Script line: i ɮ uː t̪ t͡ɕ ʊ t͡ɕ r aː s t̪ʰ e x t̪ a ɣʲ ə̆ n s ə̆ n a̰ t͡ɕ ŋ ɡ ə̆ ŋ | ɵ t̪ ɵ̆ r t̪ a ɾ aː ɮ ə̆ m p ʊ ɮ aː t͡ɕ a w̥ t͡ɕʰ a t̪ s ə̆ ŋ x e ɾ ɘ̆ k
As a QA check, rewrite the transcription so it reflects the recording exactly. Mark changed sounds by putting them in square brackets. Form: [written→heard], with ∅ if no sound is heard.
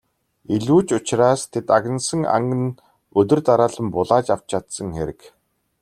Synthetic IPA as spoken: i ɮ uː [t̪→∅] t͡ɕ ʊ t͡ɕ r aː s t̪ʰ e [x→∅] t̪ a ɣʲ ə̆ n s ə̆ [n→ŋ] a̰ [t͡ɕ→∅] ŋ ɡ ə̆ [ŋ→n] | ɵ t̪ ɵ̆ r t̪ a ɾ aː ɮ ə̆ m p ʊ ɮ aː t͡ɕ a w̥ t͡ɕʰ a t̪ s ə̆ ŋ x e ɾ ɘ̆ k